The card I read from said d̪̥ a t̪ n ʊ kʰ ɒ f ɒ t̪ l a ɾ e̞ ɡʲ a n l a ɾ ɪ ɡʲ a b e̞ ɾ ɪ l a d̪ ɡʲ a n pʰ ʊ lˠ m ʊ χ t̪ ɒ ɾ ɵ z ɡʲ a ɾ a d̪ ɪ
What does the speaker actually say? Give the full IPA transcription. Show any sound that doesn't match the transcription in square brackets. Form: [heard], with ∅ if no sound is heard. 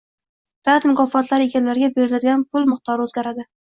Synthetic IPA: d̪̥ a t̪ [m] ʊ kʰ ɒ f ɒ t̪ l a ɾ e̞ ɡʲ a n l a ɾ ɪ ɡʲ a b e̞ ɾ ɪ l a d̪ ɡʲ a n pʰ ʊ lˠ m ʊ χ t̪ ɒ ɾ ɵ z ɡʲ a ɾ a d̪ ɪ